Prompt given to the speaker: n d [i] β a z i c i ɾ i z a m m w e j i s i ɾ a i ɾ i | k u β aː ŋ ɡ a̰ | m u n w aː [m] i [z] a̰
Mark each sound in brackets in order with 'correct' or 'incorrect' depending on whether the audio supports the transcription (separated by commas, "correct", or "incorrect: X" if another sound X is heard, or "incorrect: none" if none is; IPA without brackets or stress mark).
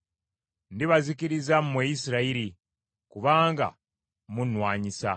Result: correct, incorrect: ɲ, incorrect: s